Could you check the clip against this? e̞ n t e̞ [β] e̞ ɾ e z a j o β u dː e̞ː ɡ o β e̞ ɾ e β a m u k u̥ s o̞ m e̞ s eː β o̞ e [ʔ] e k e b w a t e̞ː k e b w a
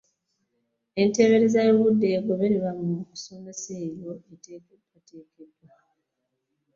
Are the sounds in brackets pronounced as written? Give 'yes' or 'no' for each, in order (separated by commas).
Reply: yes, no